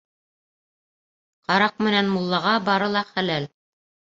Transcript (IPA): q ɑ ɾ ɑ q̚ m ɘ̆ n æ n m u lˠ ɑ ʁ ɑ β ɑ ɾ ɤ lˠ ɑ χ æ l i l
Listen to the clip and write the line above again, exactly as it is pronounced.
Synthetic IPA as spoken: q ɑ ɾ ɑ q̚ m ɘ̆ n æ n m u lˠː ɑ ʁ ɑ b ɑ ɾ ɤ lˠ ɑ χ æ l æ l